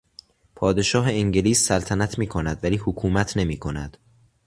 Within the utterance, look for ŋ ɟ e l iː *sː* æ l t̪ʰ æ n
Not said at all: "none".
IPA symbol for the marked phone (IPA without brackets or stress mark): sː